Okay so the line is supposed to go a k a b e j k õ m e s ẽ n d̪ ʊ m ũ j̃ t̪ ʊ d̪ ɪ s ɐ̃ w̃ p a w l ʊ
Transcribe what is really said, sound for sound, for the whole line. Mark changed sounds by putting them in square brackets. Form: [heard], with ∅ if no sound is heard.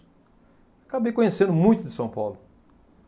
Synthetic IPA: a k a b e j k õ [ɲ] e s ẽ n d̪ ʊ m ũ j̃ t̪ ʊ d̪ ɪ s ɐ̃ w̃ p a w l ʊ